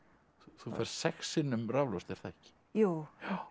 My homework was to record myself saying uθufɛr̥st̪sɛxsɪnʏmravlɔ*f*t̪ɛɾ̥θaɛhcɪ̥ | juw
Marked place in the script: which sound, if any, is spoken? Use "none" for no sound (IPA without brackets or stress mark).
s